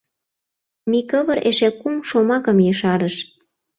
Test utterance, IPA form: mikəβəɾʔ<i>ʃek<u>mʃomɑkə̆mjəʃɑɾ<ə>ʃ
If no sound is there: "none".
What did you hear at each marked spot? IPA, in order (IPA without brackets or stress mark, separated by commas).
e, u, ə